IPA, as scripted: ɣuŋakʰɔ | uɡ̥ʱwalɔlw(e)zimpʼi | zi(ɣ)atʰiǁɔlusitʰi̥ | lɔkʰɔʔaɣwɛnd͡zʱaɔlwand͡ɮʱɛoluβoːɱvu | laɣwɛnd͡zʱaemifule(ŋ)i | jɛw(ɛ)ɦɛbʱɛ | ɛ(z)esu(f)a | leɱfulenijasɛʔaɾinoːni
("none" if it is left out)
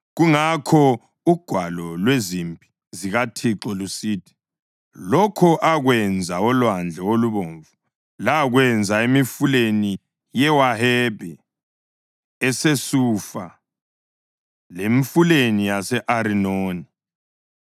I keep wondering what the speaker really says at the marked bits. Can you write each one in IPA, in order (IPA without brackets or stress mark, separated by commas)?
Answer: e, ɣ, n, a, s, f